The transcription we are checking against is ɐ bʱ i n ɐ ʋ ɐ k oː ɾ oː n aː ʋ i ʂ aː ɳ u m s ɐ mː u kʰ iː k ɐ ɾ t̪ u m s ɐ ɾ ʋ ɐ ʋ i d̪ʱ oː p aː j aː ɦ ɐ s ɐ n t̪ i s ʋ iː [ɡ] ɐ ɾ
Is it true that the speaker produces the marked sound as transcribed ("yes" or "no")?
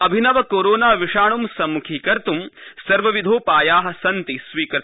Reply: no